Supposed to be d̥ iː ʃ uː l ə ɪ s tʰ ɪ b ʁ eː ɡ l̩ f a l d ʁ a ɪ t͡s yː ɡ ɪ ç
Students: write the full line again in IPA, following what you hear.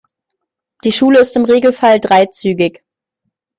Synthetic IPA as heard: d̥ iː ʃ uː l ə ɪ s t ɪ m ʁ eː ɡ l̩ f a l d ʁ a ɪ t͡s yː ɡ ɪ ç